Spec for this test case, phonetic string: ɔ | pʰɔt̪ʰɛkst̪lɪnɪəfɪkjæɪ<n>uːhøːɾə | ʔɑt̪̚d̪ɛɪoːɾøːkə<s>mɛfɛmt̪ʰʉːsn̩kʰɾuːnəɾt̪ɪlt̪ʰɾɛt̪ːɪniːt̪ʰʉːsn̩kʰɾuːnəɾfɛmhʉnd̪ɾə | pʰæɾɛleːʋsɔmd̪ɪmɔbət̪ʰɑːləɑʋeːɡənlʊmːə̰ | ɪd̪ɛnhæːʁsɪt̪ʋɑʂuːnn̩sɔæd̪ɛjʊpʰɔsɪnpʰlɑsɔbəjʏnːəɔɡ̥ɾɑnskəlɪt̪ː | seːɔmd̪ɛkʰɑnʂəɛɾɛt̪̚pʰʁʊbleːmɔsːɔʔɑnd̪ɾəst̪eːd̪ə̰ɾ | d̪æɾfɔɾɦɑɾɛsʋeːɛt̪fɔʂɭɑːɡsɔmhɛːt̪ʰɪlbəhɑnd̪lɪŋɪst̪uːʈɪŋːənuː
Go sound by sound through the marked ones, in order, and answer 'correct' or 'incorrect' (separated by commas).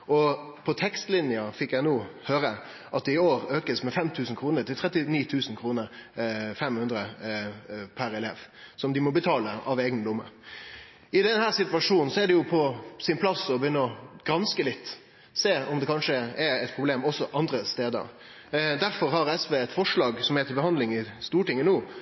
correct, correct